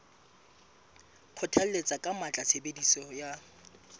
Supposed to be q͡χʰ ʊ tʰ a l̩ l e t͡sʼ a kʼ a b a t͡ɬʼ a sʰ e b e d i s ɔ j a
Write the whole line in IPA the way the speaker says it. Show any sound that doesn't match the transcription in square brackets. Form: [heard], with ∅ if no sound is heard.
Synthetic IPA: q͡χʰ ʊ tʰ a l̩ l e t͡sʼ a kʼ a [m] a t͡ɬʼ a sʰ e b e d i s ɔ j a